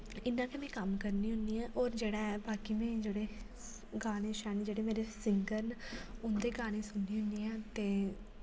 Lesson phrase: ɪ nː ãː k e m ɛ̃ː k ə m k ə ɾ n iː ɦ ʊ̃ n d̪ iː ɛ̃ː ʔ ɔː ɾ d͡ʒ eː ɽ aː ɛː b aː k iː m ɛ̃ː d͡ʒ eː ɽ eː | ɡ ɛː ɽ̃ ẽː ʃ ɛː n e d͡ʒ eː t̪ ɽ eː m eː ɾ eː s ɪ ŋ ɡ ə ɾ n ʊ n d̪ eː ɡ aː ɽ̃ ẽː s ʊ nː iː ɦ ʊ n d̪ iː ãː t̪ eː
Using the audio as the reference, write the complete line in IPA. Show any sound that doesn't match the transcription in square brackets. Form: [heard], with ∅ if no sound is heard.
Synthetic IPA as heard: ɪ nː ãː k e m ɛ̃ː k ə m k ə ɾ n iː ɦ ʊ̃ n d̪ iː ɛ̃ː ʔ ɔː ɾ d͡ʒ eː ɽ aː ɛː b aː k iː m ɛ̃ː d͡ʒ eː ɽ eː | ɡ [aː] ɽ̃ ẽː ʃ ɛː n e d͡ʒ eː [∅] ɽ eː m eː ɾ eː s ɪ ŋ ɡ ə ɾ n ʊ n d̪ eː ɡ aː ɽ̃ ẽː s ʊ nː iː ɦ ʊ n d̪ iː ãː t̪ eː

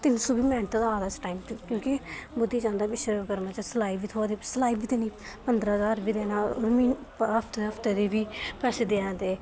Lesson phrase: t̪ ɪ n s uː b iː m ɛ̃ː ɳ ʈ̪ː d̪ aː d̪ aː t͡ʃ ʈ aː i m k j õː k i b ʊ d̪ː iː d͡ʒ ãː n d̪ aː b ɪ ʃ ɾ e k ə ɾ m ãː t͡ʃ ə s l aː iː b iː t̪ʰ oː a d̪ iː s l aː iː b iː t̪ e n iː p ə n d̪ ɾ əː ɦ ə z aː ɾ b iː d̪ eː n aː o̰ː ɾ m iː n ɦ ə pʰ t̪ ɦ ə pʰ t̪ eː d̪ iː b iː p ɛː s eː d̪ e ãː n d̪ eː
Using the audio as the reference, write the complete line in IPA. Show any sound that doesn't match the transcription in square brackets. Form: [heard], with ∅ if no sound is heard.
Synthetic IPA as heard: t̪ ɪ n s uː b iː m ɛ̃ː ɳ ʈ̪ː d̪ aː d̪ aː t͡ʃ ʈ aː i m k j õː k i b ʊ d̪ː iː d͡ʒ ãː n d̪ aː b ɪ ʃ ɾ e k ə ɾ m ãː t͡ʃ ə s l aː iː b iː t̪ʰ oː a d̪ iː s l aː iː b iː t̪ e n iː p ə n d̪ ɾ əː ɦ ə z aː ɾ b iː d̪ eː n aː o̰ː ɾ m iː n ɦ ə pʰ t̪ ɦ ə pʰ t̪ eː d̪ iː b iː p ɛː s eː d̪ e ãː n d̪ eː

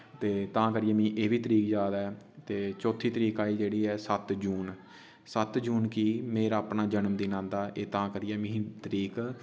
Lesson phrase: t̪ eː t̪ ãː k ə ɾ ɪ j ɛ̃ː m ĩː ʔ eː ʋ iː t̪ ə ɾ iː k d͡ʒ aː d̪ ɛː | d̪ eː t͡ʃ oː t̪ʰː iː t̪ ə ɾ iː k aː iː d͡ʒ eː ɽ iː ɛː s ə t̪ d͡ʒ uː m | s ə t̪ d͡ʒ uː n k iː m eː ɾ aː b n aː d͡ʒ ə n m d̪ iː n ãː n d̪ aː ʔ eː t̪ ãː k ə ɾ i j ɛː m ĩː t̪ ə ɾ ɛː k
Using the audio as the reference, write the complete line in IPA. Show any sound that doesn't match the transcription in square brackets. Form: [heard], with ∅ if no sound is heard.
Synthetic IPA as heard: t̪ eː t̪ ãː k ə ɾ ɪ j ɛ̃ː m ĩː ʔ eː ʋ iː t̪ ə ɾ iː k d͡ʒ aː d̪ ɛː | [t̪] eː t͡ʃ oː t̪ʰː iː t̪ ə ɾ iː k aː iː d͡ʒ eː ɽ iː ɛː s ə t̪ d͡ʒ uː [n] | s ə t̪ d͡ʒ uː n k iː m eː ɾ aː [p] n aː d͡ʒ ə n m d̪ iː n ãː n d̪ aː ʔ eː t̪ ãː k ə ɾ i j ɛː m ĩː t̪ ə ɾ [iː] k

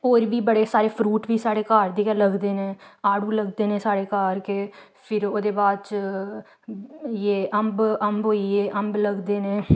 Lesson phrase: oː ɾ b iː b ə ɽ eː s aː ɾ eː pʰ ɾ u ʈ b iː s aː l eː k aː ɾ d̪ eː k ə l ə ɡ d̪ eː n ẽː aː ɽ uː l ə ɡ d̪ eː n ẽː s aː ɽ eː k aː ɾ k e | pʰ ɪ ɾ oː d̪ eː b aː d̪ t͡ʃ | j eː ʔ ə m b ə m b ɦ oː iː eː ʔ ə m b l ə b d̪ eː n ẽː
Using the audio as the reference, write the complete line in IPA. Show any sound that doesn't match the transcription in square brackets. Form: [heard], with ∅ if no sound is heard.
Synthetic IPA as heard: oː ɾ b iː b ə ɽ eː s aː ɾ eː pʰ ɾ [uː] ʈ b iː s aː [ɽ] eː k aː ɾ d̪ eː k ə l ə ɡ d̪ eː n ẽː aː ɽ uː l ə ɡ d̪ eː n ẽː s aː ɽ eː k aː ɾ k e | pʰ ɪ ɾ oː d̪ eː b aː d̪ t͡ʃ | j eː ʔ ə m b ə m b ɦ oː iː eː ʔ ə m b l ə [ɡ] d̪ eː n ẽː

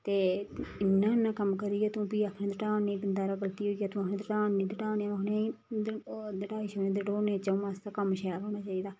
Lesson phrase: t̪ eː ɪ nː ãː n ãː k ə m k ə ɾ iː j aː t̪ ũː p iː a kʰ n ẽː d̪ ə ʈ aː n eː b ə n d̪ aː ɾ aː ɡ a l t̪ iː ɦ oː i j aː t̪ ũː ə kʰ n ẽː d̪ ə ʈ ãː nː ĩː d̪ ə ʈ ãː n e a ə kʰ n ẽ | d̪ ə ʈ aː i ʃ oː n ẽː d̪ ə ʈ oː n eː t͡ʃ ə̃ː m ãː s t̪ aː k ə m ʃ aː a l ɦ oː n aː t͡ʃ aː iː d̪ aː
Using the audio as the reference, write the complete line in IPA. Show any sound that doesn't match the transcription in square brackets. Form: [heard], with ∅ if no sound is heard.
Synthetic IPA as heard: t̪ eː ɪ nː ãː n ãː k ə m k ə ɾ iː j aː t̪ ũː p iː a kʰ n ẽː d̪ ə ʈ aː n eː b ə n d̪ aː ɾ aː ɡ [ə] l t̪ iː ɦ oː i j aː t̪ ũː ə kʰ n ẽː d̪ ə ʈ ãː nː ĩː d̪ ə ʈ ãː n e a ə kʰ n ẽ | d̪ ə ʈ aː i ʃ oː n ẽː d̪ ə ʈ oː n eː t͡ʃ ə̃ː m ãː s t̪ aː k ə m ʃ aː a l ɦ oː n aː t͡ʃ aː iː d̪ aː

